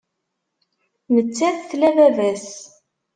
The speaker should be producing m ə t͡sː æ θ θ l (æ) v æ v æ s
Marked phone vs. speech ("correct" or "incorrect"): correct